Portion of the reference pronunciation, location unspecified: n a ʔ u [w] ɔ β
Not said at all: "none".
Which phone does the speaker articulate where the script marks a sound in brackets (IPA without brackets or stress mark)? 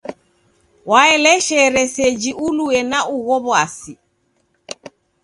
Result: ɣ